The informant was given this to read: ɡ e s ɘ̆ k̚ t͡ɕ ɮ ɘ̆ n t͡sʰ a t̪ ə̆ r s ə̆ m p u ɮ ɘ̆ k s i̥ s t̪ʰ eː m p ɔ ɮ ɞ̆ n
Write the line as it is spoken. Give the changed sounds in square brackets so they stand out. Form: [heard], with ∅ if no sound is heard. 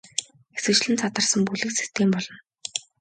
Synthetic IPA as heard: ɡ e s ɘ̆ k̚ t͡ɕ ɮ ɘ̆ n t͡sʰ a t̪ ə̆ r s ə̆ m p u ɮ ɘ̆ k s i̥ s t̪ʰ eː m p ɔ ɮ ɞ̆ n